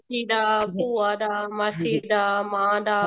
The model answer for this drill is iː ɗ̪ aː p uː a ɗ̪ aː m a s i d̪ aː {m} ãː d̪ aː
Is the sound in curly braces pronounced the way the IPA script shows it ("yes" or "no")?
yes